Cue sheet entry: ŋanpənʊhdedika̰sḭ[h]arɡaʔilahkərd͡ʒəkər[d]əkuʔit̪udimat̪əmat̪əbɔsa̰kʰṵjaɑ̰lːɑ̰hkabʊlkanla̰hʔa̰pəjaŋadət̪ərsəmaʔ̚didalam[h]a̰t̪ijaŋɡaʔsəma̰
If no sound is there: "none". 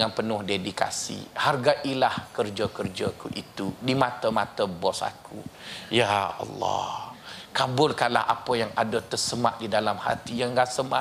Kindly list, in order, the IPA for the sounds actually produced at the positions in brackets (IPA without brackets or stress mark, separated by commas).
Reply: h, d͡ʒ, h